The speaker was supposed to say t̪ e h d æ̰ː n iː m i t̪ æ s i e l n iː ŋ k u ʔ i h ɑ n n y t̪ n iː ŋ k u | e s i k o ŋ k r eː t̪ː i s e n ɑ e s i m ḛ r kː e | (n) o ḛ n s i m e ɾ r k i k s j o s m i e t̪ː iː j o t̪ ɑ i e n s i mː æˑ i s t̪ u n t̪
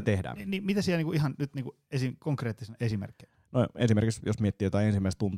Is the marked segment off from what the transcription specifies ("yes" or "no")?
no